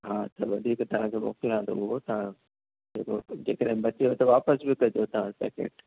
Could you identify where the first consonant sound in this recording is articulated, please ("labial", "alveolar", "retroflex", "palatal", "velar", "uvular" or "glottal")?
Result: glottal